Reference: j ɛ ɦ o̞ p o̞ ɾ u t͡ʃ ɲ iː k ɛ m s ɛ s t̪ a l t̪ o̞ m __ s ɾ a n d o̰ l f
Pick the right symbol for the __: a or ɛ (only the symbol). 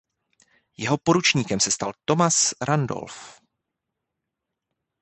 a